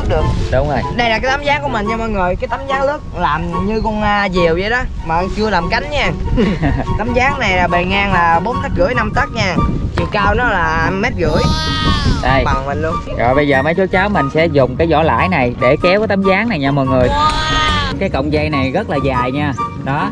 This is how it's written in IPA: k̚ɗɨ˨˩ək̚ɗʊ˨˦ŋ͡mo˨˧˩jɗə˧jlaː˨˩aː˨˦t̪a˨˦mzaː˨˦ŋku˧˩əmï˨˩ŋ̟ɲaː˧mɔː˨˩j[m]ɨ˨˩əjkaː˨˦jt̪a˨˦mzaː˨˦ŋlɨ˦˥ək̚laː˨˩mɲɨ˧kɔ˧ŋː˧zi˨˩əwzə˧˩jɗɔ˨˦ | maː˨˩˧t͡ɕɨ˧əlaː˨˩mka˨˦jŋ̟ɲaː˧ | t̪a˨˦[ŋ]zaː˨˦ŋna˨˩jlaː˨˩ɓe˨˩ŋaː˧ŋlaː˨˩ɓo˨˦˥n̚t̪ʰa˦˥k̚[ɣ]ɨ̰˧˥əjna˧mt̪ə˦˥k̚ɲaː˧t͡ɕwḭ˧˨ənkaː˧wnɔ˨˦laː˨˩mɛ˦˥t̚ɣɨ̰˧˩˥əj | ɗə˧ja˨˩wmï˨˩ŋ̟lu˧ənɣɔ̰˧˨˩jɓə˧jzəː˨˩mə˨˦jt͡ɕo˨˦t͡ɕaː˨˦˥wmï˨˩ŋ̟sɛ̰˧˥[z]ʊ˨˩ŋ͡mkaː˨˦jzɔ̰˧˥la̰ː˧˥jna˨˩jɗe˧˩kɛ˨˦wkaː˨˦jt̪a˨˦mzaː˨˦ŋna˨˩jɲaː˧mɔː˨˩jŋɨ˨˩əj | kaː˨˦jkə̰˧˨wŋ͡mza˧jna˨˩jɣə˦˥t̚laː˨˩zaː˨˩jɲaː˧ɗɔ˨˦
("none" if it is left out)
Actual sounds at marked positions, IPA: ŋ, m, ɣ, z

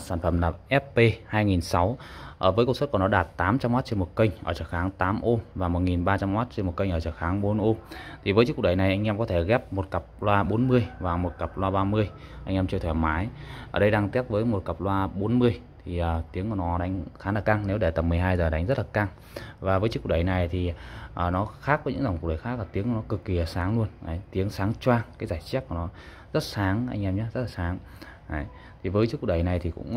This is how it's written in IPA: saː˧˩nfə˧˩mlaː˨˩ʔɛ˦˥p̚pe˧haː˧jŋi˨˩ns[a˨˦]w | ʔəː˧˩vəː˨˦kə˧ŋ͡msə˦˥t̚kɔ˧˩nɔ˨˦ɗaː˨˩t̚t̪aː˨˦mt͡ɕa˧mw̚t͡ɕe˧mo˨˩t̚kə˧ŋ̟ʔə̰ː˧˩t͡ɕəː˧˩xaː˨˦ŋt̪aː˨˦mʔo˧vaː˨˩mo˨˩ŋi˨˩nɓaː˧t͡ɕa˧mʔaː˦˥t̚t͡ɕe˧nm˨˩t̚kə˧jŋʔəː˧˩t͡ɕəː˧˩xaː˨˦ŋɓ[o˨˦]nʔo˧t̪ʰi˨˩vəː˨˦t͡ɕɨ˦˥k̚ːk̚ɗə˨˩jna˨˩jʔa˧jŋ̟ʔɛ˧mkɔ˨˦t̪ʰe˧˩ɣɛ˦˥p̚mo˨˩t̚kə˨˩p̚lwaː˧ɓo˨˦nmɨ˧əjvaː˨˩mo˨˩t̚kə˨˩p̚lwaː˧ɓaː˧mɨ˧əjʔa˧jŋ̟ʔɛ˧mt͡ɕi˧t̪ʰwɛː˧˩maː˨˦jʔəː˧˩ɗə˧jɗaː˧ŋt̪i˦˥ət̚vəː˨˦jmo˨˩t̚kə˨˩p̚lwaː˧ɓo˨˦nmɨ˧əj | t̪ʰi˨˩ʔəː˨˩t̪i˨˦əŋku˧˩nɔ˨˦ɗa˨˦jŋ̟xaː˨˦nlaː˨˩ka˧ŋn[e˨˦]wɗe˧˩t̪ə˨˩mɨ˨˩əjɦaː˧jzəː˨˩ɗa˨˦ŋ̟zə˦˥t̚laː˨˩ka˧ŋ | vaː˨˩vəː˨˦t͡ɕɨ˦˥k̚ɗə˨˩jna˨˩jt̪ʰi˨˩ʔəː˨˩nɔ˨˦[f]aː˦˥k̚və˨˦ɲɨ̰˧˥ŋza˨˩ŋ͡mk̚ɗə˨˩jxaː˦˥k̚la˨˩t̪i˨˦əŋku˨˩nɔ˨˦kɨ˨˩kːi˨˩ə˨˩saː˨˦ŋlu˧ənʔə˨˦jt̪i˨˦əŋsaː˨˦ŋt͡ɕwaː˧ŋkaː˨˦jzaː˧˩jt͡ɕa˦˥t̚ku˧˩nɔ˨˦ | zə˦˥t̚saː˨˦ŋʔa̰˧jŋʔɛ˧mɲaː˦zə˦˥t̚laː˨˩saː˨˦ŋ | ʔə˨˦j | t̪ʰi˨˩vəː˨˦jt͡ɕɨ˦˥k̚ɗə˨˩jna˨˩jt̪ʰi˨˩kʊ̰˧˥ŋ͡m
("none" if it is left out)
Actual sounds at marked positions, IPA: a˨˦, o˨˦, e˨˦, x

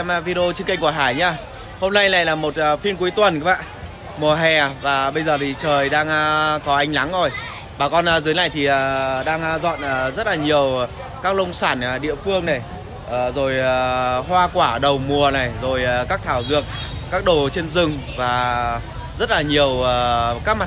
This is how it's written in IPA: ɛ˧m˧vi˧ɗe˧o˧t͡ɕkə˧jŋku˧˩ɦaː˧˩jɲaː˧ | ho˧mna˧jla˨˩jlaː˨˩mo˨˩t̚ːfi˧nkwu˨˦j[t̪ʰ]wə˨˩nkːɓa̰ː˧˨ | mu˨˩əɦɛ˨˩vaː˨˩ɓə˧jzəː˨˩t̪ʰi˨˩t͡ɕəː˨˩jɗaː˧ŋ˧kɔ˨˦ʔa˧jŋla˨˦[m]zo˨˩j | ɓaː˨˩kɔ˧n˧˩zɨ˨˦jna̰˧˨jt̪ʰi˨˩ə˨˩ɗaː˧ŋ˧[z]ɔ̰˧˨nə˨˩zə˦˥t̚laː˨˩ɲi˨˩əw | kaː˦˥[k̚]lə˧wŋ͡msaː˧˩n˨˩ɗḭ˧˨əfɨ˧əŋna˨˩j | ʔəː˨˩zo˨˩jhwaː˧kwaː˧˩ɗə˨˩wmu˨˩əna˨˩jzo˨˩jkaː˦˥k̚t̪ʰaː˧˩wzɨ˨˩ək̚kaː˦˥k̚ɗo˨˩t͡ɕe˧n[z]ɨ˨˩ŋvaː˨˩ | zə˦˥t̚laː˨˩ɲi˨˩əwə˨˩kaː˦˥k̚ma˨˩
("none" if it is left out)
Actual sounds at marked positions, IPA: t̪, ŋ, z, k̚, z

